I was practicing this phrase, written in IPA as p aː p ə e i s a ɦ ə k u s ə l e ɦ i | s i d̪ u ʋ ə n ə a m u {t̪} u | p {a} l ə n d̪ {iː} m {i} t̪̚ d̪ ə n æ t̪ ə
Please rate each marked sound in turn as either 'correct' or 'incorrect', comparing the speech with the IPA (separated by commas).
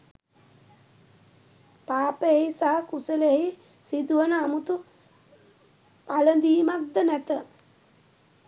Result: correct, correct, correct, incorrect